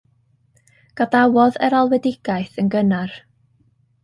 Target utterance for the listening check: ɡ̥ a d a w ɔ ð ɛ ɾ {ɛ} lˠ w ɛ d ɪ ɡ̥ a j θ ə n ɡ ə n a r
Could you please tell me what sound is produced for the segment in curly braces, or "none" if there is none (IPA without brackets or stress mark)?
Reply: a